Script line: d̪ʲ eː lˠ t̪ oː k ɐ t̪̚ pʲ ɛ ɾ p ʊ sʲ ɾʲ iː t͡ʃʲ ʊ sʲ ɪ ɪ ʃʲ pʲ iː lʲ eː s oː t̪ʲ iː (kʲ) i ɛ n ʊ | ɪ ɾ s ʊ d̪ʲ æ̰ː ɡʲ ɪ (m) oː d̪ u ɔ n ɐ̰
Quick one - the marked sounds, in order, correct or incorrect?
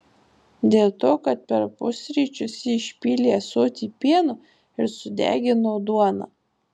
incorrect: pʲ, incorrect: n

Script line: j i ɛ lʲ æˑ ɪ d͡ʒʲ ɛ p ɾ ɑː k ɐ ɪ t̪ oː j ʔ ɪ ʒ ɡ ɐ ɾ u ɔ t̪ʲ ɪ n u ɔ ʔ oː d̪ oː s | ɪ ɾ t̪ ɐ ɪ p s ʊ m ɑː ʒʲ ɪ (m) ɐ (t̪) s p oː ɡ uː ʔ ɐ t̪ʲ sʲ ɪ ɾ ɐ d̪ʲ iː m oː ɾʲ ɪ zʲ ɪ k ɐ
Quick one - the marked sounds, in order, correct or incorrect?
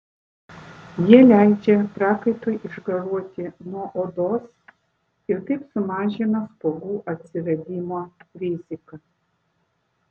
incorrect: n, incorrect: none

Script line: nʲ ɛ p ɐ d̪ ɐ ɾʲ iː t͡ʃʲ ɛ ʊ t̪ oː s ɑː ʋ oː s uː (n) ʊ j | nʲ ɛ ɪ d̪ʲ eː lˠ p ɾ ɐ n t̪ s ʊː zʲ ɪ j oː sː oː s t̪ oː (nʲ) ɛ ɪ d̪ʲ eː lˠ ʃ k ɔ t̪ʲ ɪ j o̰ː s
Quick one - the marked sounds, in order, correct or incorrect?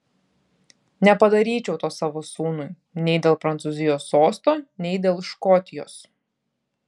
correct, correct

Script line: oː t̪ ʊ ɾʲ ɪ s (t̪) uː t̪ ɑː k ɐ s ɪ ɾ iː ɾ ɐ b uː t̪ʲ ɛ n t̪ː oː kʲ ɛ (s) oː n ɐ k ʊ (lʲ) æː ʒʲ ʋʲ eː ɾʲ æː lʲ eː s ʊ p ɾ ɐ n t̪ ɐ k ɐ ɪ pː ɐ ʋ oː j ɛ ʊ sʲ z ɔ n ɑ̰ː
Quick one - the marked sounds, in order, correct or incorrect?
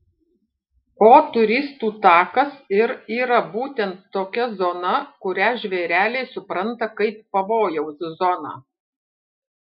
correct, incorrect: z, incorrect: ɾʲ

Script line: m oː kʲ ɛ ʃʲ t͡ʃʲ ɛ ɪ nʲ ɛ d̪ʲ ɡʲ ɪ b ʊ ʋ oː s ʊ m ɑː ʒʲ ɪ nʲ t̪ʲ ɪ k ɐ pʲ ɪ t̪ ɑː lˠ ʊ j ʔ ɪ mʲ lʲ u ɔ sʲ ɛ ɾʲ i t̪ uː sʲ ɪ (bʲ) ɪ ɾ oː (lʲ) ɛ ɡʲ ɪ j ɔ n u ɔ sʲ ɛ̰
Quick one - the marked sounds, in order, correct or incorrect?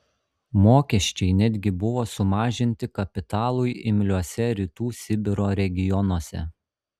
correct, incorrect: ɾʲ

